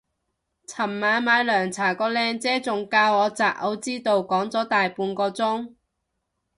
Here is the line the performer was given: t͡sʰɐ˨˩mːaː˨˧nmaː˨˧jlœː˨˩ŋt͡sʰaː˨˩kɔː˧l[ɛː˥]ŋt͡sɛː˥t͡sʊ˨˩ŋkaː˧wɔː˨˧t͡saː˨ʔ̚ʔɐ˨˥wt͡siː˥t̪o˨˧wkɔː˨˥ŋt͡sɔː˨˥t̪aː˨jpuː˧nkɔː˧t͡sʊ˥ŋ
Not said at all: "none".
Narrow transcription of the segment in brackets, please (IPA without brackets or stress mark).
ɛː˧